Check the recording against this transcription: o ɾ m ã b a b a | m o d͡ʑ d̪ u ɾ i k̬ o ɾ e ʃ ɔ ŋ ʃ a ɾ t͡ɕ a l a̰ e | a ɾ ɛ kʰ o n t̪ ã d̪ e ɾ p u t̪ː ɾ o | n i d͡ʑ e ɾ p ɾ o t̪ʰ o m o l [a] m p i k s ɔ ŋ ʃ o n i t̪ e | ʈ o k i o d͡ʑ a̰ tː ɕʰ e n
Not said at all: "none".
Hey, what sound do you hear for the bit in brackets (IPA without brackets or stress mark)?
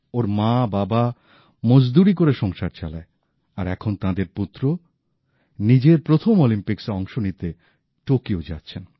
i